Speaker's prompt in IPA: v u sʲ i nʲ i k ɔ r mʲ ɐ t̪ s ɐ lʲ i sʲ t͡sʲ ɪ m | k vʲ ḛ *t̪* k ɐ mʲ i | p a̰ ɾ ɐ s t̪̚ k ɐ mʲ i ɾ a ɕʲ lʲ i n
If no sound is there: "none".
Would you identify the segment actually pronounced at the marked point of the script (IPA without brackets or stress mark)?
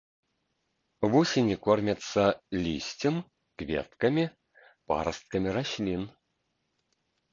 t̪